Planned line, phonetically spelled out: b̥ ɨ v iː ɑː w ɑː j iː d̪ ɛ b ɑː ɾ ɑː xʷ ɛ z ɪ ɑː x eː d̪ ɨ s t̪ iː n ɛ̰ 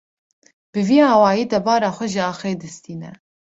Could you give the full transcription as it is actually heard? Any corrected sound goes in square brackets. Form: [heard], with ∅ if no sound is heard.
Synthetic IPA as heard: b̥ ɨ v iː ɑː w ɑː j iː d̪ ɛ b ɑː ɾ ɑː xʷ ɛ [ʒ] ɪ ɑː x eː d̪ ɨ s t̪ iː n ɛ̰